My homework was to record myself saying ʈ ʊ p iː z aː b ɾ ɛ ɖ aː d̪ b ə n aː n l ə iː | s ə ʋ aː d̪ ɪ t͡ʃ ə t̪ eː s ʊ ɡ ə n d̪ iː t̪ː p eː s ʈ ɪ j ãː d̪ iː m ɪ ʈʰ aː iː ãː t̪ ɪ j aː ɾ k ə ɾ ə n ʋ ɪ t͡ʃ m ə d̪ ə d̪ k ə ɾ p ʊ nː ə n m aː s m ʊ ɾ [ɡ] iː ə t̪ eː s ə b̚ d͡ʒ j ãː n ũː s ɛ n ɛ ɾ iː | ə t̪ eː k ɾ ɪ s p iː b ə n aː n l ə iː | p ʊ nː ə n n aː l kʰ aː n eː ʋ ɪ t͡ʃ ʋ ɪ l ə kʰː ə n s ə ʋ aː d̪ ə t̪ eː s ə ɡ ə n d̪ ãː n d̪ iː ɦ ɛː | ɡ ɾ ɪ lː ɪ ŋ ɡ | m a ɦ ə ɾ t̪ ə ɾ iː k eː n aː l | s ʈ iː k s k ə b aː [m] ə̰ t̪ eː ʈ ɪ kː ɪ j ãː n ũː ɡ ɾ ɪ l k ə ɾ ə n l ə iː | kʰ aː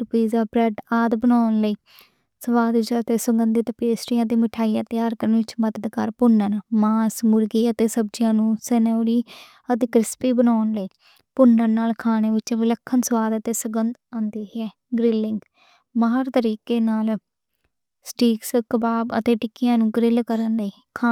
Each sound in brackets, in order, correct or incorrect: correct, incorrect: b

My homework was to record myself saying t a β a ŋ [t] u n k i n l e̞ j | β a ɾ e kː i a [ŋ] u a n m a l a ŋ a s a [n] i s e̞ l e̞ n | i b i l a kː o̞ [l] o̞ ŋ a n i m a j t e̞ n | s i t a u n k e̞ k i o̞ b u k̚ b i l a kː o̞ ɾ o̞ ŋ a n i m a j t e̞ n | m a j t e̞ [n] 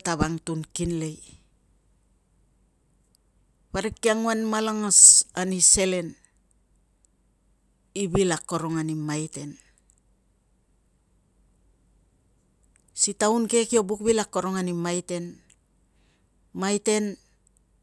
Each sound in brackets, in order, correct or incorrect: correct, correct, correct, incorrect: ɾ, correct

